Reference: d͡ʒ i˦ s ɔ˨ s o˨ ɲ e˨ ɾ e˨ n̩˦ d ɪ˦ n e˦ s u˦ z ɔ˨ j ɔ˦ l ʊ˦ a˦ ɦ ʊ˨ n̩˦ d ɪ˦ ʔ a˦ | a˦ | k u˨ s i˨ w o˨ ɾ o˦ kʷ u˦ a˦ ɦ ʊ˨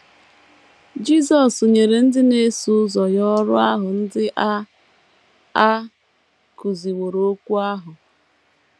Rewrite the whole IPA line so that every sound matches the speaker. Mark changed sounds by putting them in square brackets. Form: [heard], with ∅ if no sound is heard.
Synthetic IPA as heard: d͡ʒ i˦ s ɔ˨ s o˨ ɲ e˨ ɾ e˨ n̩˦ d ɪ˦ n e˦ s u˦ z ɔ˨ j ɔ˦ [ɾ] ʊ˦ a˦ ɦ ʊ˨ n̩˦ d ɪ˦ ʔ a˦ | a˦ | k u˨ [z] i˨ w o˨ ɾ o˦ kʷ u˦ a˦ ɦ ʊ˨